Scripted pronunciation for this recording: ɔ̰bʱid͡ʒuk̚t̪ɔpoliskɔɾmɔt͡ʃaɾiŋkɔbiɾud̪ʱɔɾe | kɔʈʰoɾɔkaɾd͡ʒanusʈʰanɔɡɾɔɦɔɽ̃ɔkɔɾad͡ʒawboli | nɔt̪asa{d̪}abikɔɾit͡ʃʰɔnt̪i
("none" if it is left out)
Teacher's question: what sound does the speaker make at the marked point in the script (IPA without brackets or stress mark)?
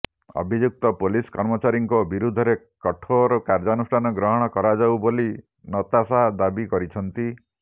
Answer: d̪